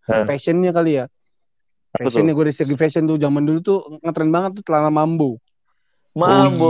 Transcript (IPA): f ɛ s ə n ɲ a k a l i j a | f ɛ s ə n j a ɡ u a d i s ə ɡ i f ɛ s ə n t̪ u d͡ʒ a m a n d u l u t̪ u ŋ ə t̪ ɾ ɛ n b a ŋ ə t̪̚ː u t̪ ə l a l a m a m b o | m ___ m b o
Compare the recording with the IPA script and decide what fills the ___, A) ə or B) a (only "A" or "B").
B